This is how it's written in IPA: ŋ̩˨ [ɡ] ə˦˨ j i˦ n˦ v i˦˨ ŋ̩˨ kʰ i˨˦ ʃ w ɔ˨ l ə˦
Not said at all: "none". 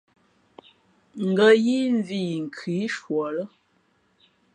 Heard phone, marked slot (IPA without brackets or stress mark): ɡ